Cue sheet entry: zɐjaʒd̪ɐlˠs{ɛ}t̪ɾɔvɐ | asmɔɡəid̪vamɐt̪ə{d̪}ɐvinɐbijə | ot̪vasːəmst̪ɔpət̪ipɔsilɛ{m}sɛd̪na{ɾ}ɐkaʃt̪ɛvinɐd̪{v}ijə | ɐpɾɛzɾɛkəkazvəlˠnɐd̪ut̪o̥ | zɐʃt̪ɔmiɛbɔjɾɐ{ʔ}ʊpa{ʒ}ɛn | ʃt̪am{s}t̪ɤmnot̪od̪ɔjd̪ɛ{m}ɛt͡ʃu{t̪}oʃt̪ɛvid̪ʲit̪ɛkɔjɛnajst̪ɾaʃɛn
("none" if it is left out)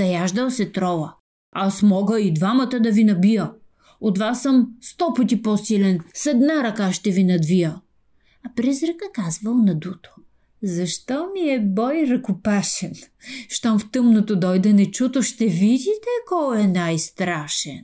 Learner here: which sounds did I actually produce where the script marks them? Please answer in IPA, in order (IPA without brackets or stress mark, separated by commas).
ɛ, d̪, n, ɾ, v, k, ʃ, f, n, t̪